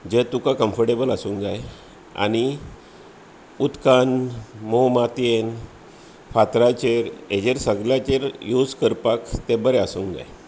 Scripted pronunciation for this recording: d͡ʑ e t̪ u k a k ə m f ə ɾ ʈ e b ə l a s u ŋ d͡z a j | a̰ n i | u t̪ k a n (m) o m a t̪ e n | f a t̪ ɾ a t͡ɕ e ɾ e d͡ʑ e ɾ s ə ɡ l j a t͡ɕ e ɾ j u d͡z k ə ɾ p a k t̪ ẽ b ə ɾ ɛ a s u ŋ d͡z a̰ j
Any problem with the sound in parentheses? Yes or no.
no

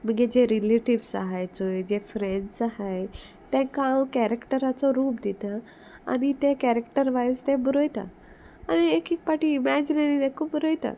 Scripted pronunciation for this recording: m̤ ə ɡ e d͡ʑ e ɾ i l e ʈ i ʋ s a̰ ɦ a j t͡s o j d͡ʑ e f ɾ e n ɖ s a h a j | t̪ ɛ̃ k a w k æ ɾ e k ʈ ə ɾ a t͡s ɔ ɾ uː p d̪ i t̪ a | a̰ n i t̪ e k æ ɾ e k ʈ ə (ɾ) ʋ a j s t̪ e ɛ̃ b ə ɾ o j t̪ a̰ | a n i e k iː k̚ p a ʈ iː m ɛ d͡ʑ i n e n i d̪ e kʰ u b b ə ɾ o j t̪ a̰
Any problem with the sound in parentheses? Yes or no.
no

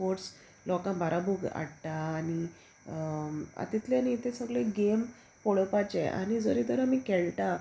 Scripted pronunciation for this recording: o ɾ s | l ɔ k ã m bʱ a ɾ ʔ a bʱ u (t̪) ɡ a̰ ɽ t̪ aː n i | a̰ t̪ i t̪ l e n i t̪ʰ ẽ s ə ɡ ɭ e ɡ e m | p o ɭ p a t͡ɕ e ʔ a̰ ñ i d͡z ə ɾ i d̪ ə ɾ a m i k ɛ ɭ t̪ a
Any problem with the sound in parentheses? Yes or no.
yes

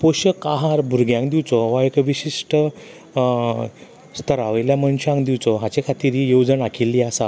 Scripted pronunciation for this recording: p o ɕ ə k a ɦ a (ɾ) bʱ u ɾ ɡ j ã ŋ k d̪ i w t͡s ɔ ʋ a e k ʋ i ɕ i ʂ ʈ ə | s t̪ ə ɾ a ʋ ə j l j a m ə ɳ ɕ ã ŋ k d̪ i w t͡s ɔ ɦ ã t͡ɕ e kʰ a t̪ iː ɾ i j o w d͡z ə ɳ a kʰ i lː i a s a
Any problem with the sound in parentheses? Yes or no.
no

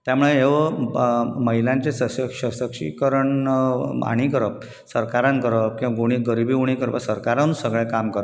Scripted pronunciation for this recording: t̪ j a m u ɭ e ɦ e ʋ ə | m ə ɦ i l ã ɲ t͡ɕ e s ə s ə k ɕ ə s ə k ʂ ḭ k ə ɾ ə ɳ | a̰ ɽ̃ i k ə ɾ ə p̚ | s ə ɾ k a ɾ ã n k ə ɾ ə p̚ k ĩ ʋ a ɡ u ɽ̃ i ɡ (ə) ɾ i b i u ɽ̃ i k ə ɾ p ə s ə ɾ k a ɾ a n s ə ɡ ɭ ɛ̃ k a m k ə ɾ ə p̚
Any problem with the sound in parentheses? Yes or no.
no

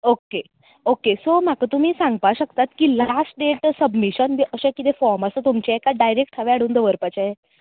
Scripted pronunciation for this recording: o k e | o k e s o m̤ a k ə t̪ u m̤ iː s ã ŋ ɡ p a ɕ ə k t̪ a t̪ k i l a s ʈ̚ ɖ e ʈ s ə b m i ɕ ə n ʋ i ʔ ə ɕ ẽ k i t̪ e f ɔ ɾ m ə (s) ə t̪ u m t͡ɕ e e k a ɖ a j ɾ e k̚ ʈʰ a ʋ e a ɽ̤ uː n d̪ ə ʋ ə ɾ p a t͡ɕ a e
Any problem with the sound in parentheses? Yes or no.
no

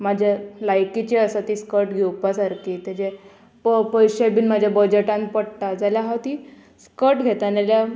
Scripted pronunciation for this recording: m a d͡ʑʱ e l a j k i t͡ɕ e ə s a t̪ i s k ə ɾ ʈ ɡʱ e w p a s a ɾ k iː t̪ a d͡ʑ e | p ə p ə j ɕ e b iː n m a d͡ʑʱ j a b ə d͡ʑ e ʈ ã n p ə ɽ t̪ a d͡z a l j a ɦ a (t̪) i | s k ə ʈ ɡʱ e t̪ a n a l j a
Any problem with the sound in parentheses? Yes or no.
no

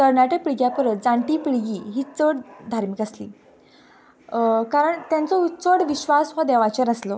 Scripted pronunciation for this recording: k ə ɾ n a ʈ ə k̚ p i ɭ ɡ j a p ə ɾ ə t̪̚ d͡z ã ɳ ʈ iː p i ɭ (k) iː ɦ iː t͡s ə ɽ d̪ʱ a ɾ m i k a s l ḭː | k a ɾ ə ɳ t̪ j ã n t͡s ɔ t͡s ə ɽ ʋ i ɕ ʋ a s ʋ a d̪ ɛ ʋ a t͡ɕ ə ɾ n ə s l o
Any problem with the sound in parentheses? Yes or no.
yes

